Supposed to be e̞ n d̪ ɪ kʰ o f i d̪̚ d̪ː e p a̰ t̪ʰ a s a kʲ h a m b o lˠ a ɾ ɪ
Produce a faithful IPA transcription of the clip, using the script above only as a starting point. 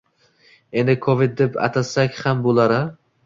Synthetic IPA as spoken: e̞ n d̪ ɪ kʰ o v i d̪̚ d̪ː e p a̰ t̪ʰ a s a kʲ h a m b o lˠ a ɾ ɪ